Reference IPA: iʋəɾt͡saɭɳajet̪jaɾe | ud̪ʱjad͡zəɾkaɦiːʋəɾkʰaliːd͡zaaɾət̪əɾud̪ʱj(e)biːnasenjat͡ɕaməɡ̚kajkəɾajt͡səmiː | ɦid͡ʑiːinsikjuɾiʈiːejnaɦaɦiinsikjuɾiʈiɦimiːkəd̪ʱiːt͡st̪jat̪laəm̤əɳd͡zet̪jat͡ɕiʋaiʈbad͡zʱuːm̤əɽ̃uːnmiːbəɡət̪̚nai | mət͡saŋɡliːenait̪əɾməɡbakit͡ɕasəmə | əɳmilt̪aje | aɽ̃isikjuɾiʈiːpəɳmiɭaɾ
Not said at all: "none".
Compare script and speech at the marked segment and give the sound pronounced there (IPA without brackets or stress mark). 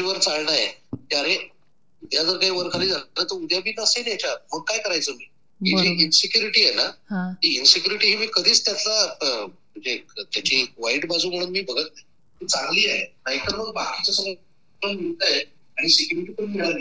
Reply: a